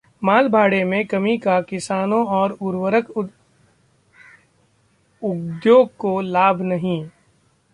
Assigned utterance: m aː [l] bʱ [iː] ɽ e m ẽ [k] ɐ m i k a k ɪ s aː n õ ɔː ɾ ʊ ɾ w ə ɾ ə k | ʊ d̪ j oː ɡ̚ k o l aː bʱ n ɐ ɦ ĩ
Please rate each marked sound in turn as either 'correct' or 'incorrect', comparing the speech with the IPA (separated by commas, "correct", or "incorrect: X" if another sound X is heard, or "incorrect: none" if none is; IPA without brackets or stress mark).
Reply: correct, incorrect: aː, correct